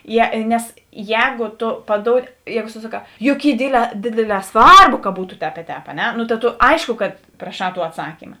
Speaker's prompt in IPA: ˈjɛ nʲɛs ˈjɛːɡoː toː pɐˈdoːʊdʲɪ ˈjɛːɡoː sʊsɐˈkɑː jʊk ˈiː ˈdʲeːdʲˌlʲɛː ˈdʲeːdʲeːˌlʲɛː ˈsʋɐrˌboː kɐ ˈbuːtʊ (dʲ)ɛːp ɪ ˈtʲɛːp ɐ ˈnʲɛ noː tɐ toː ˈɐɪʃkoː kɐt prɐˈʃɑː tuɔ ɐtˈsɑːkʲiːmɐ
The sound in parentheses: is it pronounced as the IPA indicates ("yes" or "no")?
no